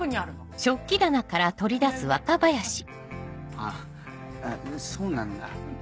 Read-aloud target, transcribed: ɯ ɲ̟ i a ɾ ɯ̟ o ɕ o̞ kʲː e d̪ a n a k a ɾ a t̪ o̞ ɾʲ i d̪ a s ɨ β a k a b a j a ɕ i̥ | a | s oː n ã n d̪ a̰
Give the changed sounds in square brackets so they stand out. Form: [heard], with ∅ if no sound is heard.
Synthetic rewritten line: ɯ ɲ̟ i a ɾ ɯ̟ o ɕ o̞ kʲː [i] d̪ a n a k a ɾ a t̪ o̞ ɾʲ i d̪ a s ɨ β a k a b a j a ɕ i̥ | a | s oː n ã n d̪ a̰

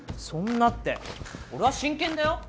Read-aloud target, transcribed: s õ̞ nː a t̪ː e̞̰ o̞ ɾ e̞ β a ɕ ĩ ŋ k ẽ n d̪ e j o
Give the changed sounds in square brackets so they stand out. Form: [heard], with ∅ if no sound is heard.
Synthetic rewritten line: s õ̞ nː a t̪ː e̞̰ o̞ ɾ e̞ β a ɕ ĩ ŋ k ẽ n d̪ [a] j o

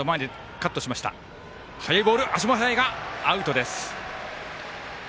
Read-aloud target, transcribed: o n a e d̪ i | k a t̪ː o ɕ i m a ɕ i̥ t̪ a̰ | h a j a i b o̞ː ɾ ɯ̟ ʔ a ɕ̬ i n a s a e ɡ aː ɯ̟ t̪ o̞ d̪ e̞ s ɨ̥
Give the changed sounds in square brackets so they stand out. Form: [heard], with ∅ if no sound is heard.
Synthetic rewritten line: o [m] a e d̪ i | k a t̪ː o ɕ i m a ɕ i̥ t̪ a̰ | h a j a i b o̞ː ɾ ɯ̟ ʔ a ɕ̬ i [m] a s a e ɡ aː ɯ̟ t̪ o̞ d̪ e̞ s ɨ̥

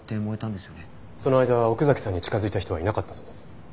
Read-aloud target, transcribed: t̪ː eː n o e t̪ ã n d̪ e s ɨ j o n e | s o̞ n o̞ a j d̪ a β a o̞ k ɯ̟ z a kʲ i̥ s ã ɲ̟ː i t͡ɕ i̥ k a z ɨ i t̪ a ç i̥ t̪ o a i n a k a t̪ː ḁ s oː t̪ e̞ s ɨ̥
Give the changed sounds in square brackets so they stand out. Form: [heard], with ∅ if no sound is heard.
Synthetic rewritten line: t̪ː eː [m] o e t̪ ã n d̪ e s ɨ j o n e | s o̞ n o̞ a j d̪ a β a o̞ k ɯ̟ z a kʲ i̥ s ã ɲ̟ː i t͡ɕ i̥ k a z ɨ i t̪ a ç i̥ t̪ o a i n a k a t̪ː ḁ s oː [d̪] e̞ s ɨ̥

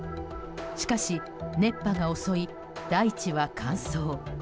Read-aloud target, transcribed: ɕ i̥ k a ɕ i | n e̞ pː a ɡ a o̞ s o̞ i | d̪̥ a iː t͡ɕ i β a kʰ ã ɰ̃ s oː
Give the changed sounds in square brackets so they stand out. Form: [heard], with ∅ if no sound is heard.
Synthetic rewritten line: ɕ i̥ k a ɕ i | n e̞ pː a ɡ a o̞ s o̞ i | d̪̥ a [i] t͡ɕ i β a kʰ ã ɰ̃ s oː

